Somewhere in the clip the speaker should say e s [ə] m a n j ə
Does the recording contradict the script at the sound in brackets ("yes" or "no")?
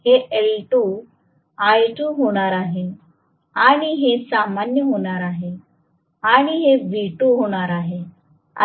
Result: yes